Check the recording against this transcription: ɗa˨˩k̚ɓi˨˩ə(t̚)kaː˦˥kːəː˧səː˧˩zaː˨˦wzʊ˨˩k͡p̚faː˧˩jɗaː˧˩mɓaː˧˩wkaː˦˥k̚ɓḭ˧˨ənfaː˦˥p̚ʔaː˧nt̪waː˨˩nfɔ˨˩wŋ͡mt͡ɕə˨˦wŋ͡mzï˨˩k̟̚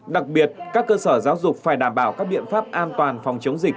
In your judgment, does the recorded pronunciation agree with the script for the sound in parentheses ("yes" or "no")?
yes